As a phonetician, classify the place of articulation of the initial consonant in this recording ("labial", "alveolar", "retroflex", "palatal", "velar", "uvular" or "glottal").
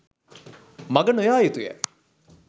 labial